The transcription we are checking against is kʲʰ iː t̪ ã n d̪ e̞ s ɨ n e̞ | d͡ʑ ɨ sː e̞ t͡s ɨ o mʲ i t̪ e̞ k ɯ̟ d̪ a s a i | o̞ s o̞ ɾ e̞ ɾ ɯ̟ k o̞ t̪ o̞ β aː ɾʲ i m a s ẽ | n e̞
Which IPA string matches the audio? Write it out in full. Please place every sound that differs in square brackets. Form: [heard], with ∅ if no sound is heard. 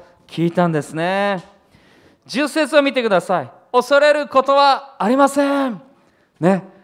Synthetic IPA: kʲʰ iː t̪ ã n d̪ e̞ s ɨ n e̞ | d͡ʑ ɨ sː e̞ t͡s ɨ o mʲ i t̪ e̞ k ɯ̟ d̪ a s a i | o̞ s o̞ ɾ e̞ ɾ ɯ̟ k o̞ t̪ o̞ β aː ɾʲ i m a s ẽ | n e̞